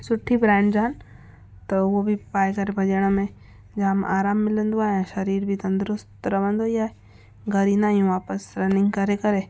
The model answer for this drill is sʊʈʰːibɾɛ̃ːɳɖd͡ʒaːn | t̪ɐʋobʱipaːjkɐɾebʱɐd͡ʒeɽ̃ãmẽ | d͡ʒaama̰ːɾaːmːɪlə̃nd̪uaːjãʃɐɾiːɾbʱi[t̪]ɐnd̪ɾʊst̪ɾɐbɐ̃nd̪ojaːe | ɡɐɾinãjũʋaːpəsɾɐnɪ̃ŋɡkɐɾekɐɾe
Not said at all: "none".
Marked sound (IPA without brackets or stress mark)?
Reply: t̪